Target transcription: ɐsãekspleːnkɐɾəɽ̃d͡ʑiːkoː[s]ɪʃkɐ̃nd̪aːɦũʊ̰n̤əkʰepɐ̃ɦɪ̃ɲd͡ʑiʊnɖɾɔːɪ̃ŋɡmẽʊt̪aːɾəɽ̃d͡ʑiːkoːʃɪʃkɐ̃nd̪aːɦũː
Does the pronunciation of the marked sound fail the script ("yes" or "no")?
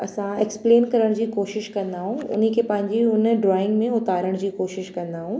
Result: yes